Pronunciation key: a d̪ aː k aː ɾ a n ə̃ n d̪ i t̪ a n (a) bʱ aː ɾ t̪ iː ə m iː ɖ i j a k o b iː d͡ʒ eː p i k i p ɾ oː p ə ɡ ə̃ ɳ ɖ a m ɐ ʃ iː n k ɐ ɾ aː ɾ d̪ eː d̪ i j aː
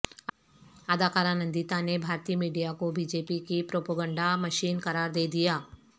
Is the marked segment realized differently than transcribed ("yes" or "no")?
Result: yes